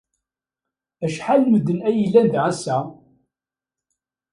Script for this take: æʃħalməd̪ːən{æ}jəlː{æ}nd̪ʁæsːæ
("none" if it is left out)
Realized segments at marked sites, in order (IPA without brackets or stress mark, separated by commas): æ, æ